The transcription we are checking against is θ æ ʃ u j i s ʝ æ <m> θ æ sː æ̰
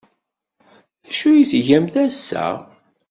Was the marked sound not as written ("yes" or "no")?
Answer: no